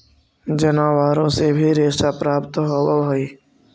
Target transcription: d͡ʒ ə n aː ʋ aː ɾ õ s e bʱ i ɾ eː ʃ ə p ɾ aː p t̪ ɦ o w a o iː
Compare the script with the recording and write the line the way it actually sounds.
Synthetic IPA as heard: d͡ʒ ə n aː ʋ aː ɾ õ s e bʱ i ɾ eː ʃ a p ɾ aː p t̪ ɦ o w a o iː